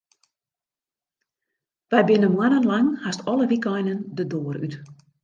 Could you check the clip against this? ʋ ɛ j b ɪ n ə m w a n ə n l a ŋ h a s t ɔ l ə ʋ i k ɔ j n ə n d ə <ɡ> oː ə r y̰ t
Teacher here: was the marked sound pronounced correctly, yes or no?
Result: no